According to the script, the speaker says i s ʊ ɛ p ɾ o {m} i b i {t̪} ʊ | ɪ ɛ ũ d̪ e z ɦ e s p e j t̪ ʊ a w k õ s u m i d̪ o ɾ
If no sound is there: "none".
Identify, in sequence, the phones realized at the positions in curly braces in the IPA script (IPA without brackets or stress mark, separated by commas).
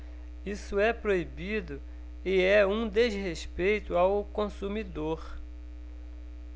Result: none, d̪